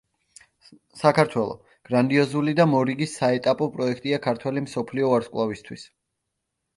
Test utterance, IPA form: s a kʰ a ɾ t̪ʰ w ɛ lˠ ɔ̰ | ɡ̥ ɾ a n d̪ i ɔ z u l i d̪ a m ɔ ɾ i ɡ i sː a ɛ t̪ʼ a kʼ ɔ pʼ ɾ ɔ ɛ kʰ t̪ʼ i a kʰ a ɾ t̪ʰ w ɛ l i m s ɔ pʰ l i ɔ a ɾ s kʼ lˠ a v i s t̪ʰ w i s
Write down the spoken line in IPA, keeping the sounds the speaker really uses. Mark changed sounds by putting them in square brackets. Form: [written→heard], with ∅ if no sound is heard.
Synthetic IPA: s a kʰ a ɾ t̪ʰ w ɛ lˠ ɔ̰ | ɡ̥ ɾ a n d̪ i ɔ z u l i d̪ a m ɔ ɾ i ɡ i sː a ɛ t̪ʼ a [kʼ→pʼ] ɔ pʼ ɾ ɔ ɛ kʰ t̪ʼ i a kʰ a ɾ t̪ʰ w ɛ l i m s ɔ pʰ l i ɔ a ɾ s kʼ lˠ a v i s t̪ʰ w i s